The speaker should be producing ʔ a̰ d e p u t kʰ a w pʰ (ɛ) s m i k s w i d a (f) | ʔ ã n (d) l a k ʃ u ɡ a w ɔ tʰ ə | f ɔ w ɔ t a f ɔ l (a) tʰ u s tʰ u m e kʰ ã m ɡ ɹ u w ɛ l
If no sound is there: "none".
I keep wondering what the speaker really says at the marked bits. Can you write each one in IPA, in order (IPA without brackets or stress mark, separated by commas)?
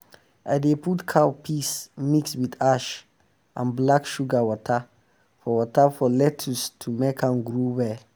i, ʃ, b, ɛ